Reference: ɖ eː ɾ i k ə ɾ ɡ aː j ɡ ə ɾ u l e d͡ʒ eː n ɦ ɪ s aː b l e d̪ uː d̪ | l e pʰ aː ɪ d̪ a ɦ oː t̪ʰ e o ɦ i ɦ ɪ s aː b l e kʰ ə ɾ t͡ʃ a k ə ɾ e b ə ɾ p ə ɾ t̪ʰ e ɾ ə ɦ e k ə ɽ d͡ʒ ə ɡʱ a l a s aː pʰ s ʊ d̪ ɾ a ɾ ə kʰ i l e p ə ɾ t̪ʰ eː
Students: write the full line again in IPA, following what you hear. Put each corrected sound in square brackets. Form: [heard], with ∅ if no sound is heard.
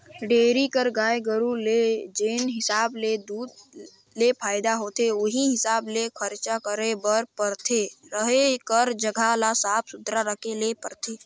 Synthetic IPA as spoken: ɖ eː ɾ i k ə ɾ ɡ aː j ɡ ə ɾ u l e d͡ʒ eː n ɦ ɪ s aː b l e d̪ uː d̪ | l e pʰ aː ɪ d̪ a ɦ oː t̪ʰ e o ɦ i ɦ ɪ s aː b l e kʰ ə ɾ t͡ʃ a k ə ɾ e b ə ɾ p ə ɾ t̪ʰ e ɾ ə ɦ e k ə [ɾ] d͡ʒ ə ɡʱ a l a s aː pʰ s ʊ d̪ ɾ a ɾ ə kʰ [e] l e p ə ɾ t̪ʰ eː